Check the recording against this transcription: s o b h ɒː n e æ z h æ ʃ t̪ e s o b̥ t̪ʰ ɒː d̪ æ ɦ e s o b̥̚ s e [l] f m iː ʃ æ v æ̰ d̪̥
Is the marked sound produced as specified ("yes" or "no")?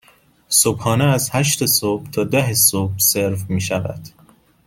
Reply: no